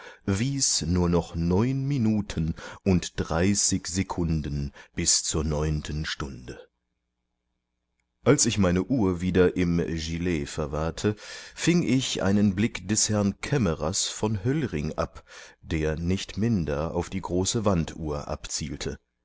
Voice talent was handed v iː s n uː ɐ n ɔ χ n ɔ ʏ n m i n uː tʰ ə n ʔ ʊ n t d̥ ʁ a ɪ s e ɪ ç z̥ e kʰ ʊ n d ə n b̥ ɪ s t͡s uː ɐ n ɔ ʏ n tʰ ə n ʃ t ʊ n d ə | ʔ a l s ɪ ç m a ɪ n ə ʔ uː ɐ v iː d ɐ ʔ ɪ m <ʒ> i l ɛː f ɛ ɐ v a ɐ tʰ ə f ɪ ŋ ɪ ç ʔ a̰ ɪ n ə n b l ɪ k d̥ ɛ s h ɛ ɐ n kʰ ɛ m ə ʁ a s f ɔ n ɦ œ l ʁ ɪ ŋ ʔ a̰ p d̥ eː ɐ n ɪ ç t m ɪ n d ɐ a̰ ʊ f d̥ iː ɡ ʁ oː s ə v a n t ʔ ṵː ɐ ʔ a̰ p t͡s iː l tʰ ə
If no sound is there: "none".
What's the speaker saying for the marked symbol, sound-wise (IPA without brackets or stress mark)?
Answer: ʒ